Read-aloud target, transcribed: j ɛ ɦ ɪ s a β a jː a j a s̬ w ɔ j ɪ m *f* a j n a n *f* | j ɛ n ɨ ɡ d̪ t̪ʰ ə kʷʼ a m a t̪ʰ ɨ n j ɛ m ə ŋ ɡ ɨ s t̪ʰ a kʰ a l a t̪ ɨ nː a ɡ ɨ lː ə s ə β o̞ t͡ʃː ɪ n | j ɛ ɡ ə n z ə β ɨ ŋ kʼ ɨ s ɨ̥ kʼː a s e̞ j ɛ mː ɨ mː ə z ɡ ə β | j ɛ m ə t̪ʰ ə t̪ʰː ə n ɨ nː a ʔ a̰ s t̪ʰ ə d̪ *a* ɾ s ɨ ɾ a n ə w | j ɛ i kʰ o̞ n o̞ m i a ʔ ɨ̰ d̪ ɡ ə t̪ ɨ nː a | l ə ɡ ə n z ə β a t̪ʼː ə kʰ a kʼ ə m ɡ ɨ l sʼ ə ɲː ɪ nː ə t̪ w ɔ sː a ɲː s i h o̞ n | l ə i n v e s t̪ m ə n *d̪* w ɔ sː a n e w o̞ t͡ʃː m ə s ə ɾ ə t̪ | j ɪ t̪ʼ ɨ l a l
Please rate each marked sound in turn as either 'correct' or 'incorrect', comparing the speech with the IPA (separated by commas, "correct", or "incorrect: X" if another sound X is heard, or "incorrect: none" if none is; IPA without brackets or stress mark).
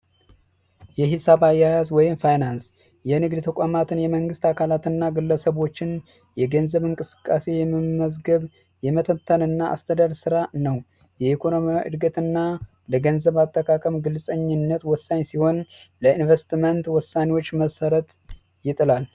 correct, incorrect: s, correct, incorrect: t̪